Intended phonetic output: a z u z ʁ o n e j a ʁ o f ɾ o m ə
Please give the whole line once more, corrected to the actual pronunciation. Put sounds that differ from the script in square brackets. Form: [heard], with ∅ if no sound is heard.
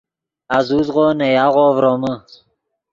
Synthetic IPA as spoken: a z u z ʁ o n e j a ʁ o [v] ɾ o m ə